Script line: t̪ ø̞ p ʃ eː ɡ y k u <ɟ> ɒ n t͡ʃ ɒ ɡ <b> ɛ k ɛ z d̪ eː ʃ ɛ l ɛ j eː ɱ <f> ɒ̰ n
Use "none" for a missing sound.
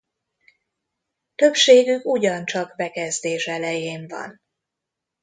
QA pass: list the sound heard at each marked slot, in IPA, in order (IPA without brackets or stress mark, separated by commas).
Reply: ɟ, b, v